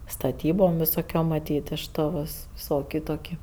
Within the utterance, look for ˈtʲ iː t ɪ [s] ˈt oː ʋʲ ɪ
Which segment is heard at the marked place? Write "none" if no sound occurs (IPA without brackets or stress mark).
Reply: ʃ